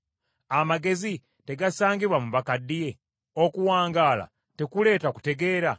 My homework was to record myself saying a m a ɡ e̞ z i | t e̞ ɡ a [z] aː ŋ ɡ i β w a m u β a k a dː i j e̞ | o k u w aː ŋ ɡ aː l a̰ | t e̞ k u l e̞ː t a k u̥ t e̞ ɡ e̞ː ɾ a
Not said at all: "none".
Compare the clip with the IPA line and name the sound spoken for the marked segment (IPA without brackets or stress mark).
s